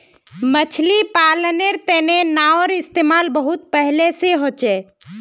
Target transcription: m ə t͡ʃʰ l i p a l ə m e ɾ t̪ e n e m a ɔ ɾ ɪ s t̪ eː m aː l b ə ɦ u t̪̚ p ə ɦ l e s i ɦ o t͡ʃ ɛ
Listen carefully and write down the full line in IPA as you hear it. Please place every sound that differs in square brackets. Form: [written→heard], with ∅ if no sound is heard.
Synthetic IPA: m ə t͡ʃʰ l i p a l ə [m→n] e ɾ t̪ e n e [m→n] a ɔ ɾ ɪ s t̪ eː m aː l b ə ɦ u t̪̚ p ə ɦ l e s [i→e] ɦ o t͡ʃ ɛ